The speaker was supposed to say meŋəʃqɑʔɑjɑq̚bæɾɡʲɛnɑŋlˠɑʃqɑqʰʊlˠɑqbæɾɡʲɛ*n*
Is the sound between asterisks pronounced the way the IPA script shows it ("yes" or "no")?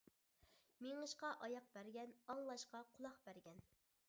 yes